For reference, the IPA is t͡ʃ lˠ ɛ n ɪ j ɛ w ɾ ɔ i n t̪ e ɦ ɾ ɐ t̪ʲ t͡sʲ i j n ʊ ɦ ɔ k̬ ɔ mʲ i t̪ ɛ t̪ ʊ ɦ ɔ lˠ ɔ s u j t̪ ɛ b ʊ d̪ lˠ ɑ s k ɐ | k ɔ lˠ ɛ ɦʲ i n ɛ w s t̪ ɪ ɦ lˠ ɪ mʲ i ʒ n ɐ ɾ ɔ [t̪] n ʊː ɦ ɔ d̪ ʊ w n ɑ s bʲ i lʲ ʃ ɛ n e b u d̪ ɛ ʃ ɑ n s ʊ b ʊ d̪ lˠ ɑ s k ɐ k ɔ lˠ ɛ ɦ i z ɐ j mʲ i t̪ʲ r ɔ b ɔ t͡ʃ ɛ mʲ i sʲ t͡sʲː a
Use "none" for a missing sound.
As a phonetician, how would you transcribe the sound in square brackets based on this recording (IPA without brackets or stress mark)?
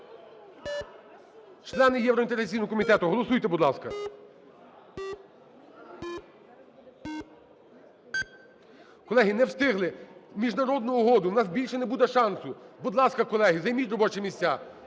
d̪